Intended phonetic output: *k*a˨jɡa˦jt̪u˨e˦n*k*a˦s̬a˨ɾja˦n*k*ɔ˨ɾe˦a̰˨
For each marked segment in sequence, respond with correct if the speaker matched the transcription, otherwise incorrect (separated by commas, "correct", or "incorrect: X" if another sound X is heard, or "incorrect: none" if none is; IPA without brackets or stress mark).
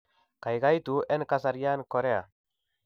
correct, correct, correct